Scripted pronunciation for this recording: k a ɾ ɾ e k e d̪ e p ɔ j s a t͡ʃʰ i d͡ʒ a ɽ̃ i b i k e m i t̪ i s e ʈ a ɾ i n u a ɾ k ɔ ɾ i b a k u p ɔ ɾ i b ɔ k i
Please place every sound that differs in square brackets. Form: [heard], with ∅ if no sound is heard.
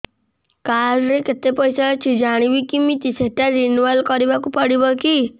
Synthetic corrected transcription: k a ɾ ɾ e k e [t̪] e p ɔ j s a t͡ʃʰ i d͡ʒ a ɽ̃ i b i k [i] m i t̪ i s e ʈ a ɾ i n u a [l] k ɔ ɾ i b a k u p ɔ [ɽ] i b ɔ k i